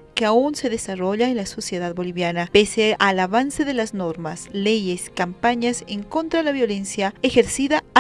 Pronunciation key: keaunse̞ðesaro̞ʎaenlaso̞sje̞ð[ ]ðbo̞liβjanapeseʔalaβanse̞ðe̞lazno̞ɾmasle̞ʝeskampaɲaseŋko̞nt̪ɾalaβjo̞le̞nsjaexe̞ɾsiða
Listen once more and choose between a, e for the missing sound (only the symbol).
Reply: a